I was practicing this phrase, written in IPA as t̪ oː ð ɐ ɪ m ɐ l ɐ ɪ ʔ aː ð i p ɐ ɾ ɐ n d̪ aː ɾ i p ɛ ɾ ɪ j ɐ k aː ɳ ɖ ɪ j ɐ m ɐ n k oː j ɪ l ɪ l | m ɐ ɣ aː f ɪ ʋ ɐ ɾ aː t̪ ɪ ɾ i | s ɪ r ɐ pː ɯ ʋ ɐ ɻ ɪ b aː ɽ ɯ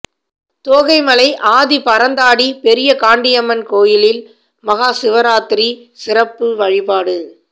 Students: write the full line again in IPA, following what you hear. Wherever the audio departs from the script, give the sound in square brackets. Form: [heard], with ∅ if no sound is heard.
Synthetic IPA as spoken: t̪ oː [ɣ] ɐ ɪ m ɐ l ɐ ɪ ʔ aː ð i p ɐ ɾ ɐ n d̪ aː [ɽ] i p ɛ ɾ ɪ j ɐ k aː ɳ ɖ ɪ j ɐ m ɐ n k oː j ɪ l ɪ l | m ɐ ɣ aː [s] ɪ ʋ ɐ ɾ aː t̪ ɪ ɾ i | s ɪ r ɐ pː ɯ ʋ ɐ ɻ ɪ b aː ɽ ɯ